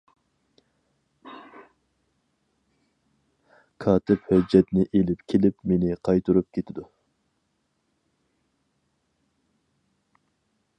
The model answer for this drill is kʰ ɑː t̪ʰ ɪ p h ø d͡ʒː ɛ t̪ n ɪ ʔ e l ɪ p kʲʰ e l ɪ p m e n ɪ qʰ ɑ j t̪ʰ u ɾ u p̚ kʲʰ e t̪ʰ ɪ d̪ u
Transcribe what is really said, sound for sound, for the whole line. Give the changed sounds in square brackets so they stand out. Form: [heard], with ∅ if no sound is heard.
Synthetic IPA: kʰ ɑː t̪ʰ ɪ p h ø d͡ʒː ɛ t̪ n ɪ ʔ e l ɪ p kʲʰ e l ɪ p m e n ɪ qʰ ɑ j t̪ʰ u ɾ u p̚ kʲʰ e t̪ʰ ɪ d̪ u